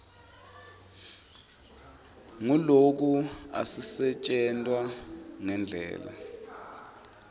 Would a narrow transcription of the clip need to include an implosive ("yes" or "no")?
no